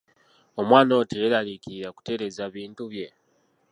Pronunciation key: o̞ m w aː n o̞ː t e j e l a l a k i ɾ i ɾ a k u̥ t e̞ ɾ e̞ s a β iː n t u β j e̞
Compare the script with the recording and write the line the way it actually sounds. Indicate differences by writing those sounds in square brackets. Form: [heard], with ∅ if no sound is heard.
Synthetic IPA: o̞ m w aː n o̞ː t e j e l a l [i] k i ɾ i ɾ a k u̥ t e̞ ɾ e̞ [z] a β iː n t u β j e̞